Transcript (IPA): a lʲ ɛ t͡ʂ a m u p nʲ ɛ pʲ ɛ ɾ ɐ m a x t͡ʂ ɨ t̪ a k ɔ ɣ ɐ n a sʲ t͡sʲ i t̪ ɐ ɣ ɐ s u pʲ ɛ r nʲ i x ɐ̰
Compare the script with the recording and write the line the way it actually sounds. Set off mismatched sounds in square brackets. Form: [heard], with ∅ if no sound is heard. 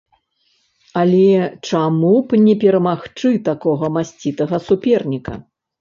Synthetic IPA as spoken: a lʲ ɛ t͡ʂ a m u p nʲ ɛ pʲ ɛ ɾ ɐ m a x t͡ʂ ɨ t̪ a k ɔ ɣ ɐ [m] a sʲ t͡sʲ i t̪ ɐ ɣ ɐ s u pʲ ɛ r nʲ i [k] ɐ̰